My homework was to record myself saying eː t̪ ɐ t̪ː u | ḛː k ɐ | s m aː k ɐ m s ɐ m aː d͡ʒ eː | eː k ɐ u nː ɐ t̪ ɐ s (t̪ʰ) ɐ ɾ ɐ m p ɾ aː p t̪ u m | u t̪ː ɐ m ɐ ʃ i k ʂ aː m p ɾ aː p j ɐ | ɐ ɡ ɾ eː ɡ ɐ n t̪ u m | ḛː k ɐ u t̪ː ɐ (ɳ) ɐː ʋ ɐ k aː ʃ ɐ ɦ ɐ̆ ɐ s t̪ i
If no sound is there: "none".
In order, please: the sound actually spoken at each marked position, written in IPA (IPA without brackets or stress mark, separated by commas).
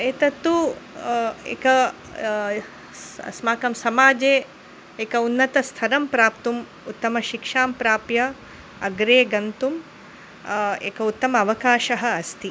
t̪ʰ, m